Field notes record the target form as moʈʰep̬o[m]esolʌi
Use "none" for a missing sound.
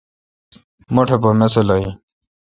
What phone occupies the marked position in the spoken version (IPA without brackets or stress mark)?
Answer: m